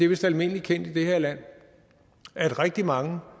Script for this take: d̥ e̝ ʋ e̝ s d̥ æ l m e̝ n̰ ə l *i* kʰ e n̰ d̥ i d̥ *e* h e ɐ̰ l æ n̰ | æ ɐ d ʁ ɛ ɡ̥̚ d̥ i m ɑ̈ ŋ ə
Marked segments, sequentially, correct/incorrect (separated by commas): correct, correct